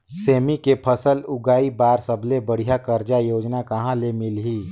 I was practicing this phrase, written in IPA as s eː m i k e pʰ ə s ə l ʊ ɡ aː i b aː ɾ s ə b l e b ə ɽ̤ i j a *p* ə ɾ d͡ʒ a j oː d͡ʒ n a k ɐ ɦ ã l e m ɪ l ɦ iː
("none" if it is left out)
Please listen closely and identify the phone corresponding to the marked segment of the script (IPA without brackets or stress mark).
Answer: k